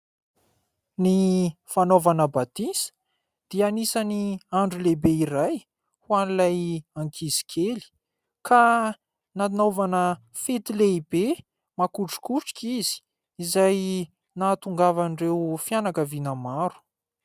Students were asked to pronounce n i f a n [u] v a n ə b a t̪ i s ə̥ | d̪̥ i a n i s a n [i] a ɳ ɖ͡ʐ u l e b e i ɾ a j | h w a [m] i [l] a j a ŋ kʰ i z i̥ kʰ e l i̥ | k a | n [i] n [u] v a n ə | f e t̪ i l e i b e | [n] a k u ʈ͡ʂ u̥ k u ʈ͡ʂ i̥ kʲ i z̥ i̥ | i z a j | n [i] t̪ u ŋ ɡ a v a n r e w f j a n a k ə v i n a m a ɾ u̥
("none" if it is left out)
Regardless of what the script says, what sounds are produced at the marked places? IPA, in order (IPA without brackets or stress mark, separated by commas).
o, i, n, l, a, o, m, a